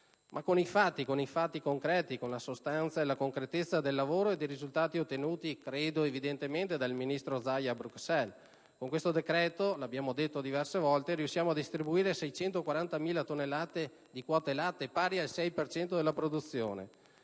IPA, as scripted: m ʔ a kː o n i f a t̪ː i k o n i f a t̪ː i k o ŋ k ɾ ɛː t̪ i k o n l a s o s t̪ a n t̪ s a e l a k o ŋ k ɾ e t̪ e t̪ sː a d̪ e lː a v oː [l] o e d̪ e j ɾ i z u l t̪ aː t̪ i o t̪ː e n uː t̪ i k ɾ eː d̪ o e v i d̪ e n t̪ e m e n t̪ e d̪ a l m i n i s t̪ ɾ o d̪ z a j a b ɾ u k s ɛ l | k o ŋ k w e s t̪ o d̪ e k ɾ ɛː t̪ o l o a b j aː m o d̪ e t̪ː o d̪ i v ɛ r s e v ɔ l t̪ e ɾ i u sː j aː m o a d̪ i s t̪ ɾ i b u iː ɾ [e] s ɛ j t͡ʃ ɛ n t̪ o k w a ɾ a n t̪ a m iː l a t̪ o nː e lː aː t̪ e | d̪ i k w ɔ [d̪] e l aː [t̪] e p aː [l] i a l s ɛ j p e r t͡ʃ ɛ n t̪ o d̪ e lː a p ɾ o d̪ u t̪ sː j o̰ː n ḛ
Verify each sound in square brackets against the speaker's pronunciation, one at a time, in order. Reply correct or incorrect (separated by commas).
incorrect, correct, incorrect, correct, incorrect